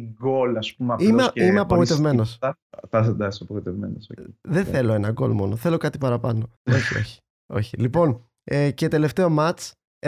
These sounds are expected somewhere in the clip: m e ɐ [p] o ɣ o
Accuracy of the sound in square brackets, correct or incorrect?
correct